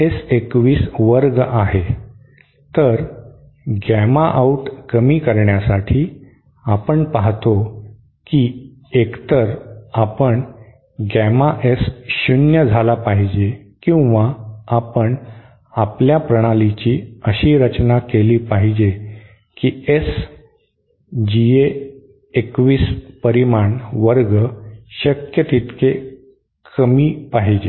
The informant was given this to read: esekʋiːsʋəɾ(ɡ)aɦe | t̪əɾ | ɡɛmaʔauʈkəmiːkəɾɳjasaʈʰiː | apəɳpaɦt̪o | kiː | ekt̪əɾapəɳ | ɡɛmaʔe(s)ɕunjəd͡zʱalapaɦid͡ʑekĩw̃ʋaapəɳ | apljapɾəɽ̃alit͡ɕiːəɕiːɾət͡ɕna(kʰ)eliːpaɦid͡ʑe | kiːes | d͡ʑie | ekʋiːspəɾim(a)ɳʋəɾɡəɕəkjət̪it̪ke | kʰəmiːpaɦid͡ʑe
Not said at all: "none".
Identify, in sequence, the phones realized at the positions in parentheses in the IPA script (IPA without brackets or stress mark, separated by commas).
ɡ, s, k, a